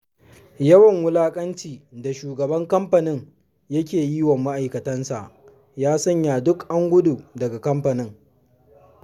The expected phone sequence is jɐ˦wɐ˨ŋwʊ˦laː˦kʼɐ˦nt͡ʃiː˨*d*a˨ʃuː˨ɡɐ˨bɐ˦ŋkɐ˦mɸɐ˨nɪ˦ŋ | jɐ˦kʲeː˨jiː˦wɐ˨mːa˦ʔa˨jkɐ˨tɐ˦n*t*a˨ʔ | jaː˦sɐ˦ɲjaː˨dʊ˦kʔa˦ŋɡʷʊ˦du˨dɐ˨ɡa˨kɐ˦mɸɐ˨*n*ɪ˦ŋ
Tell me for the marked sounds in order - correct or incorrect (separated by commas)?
correct, incorrect, correct